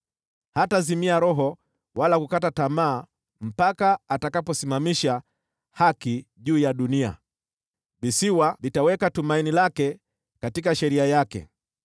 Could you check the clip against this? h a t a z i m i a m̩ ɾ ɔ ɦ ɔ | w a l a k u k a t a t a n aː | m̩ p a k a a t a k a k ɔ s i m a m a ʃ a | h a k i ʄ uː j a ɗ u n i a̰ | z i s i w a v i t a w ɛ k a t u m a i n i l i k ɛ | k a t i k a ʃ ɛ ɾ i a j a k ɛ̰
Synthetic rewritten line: h a t a z i m i a ɾ ɔ ɦ ɔ | w a l a k u k a t a t a m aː | m̩ p a k a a t a k a p ɔ s i m a m i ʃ a | h a k i ʄ uː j a ɗ u n i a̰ | v i s i w a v i t a w ɛ k a t u m a i n i l a k ɛ | k a t i k a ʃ ɛ ɾ i a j a k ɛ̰